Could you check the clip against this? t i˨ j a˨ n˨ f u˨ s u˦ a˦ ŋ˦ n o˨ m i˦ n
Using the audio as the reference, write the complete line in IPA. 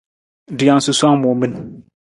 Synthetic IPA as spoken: d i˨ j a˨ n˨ s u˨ s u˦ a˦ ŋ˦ m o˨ m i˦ n